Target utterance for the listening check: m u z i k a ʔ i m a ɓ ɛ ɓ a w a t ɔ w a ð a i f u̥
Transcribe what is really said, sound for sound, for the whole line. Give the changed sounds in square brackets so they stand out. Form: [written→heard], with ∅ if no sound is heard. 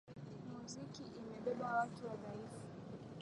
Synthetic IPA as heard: m u z i k [a→i] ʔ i m [a→ɛ] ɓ ɛ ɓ a w a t [ɔ→u] w a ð a i f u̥